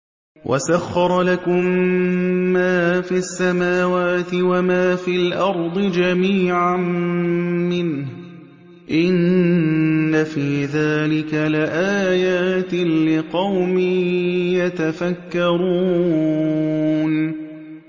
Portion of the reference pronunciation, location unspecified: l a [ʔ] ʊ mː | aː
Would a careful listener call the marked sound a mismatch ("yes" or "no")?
yes